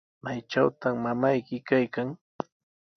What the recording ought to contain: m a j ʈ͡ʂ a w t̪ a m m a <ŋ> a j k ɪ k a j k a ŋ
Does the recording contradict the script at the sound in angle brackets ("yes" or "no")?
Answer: yes